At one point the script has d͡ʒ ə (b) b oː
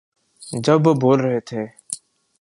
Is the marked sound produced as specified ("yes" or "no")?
yes